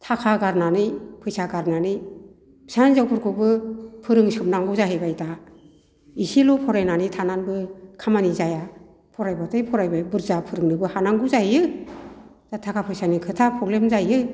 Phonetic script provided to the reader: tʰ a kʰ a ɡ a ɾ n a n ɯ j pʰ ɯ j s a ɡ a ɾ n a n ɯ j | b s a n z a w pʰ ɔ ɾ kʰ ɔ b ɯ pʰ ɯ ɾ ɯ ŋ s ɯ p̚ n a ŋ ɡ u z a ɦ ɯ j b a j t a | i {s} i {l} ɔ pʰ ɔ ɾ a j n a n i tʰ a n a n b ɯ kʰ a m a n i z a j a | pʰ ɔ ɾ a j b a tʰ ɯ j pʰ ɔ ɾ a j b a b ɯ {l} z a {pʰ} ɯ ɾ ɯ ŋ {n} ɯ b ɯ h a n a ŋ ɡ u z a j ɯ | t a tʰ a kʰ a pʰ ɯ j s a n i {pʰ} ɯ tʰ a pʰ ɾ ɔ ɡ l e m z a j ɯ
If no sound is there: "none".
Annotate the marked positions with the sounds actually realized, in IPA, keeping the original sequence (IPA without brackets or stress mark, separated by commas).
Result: s, l, ɾ, pʰ, n, kʰ